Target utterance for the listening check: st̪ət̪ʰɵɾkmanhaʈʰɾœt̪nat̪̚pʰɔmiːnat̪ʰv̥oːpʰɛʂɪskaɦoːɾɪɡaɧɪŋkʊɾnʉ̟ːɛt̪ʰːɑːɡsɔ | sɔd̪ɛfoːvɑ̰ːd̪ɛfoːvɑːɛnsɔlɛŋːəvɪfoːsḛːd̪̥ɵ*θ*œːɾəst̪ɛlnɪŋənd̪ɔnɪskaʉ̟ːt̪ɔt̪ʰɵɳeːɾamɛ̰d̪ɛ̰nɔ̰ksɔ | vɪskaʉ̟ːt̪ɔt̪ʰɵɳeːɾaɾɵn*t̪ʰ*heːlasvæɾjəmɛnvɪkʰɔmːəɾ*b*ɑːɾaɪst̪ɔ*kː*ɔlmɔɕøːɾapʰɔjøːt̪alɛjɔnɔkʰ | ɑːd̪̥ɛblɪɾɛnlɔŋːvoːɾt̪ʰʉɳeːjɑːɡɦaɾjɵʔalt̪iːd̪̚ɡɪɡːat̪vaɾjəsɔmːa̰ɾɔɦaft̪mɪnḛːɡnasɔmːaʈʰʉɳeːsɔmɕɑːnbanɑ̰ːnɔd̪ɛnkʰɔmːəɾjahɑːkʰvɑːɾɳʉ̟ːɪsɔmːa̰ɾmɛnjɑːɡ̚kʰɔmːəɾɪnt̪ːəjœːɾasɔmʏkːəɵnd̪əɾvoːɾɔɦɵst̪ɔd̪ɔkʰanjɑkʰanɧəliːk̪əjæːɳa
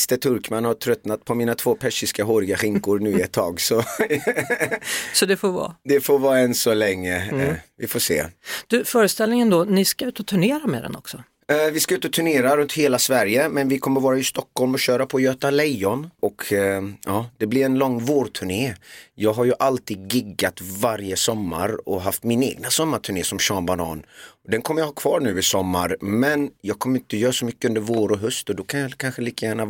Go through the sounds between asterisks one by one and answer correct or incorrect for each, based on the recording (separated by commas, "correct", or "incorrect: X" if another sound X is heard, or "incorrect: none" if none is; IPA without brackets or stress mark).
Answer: incorrect: f, incorrect: t̪, incorrect: v, correct